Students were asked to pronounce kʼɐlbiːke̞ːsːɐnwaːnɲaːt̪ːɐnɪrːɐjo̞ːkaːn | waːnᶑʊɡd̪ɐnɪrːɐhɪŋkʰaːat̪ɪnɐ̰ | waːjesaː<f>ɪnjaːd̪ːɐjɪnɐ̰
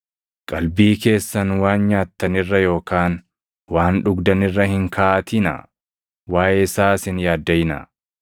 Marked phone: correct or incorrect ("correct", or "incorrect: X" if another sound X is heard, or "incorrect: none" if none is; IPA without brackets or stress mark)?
incorrect: s